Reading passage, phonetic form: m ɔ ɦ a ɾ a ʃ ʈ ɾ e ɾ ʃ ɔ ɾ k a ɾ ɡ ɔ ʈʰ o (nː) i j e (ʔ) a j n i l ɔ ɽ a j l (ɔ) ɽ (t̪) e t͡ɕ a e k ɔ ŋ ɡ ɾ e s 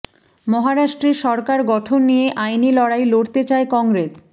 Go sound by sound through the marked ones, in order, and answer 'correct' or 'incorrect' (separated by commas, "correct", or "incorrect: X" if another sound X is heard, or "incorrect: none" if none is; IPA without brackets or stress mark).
correct, correct, incorrect: o, correct